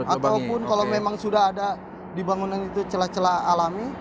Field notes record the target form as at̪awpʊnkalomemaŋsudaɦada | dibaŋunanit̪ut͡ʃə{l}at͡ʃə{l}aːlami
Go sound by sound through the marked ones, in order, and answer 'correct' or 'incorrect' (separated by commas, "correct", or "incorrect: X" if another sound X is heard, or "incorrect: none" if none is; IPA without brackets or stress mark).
correct, correct